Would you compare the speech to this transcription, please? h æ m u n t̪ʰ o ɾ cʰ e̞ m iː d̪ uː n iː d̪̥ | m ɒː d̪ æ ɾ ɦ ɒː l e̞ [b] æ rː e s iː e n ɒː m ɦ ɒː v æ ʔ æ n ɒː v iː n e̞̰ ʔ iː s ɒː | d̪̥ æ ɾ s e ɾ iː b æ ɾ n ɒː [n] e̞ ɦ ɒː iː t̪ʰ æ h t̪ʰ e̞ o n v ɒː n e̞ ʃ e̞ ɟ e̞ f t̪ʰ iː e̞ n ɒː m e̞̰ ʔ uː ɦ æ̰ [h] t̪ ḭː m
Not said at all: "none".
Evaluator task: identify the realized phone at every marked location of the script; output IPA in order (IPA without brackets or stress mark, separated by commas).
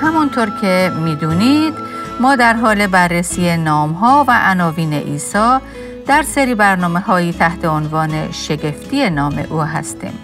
b, m, s